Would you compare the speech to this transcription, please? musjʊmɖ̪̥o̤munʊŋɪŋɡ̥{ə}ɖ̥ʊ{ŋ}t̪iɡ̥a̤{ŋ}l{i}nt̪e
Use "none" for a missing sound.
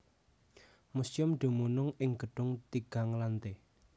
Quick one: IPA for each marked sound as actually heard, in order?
ə, ŋ, ŋ, a

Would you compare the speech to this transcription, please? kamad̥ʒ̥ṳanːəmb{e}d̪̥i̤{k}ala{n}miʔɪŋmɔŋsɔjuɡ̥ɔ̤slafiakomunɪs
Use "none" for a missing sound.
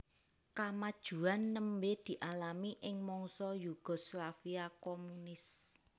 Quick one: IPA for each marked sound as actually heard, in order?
e, ʔ, none

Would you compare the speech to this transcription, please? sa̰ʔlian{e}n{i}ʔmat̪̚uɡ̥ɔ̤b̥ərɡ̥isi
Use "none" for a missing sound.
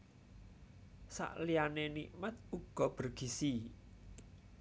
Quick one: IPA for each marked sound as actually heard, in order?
e, i

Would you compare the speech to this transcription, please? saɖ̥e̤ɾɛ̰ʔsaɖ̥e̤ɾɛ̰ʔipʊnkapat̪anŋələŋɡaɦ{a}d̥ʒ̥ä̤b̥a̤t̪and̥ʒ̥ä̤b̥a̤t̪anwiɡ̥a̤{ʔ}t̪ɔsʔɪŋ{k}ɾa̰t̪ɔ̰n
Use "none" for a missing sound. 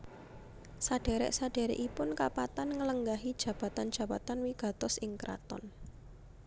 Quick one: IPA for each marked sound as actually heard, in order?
i, none, k

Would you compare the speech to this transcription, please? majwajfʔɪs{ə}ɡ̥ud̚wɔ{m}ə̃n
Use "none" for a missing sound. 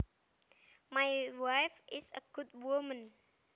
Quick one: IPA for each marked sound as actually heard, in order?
ə, m

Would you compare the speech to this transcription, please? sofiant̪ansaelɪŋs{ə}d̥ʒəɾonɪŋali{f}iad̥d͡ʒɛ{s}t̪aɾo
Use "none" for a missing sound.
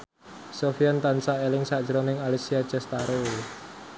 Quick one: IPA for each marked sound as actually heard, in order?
a, s, s

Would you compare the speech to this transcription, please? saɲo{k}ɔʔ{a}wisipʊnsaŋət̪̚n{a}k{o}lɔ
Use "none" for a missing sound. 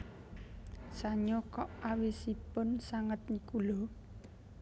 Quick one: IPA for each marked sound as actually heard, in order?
k, a, i, u

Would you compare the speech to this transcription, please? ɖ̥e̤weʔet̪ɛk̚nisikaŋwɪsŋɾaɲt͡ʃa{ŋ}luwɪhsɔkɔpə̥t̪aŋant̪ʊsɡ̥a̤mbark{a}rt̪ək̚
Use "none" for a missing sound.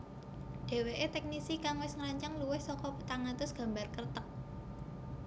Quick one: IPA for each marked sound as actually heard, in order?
ŋ, ə

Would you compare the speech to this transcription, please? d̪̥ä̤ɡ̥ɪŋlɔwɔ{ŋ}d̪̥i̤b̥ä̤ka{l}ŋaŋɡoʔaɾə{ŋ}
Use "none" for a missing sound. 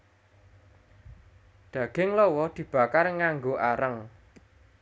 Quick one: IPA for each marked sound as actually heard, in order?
none, r, ŋ

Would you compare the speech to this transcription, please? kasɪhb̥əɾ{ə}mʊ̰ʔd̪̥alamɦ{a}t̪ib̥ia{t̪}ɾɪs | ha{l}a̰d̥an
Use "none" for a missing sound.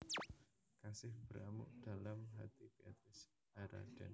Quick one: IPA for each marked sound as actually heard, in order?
a, a, t̪, ɾ

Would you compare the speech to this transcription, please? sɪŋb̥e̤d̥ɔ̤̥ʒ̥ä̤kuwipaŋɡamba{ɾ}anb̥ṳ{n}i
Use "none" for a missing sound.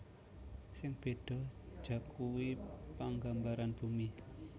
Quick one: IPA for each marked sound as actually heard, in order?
ɾ, m

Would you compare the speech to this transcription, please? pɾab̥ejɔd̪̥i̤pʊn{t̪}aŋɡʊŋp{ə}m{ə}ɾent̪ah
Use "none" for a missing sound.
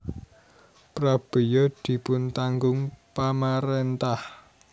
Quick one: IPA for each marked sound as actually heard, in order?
t̪, a, a

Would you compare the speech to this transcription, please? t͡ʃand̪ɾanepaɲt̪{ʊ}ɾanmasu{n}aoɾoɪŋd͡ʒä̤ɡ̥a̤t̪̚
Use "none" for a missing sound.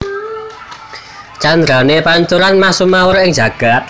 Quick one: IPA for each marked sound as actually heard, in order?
u, m

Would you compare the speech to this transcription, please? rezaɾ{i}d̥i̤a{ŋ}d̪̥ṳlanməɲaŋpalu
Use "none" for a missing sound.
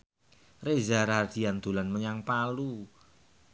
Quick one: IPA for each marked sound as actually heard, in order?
a, n

